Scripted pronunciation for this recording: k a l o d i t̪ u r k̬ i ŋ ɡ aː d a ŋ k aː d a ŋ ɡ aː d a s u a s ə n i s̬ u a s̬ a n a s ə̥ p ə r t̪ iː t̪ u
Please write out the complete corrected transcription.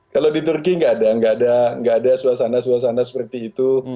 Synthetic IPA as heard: k a l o d i t̪ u r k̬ i ŋ ɡ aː d a ŋ ɡ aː d a ŋ ɡ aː d a s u a s a n a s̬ u a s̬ a n a s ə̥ p ə r t̪ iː t̪ u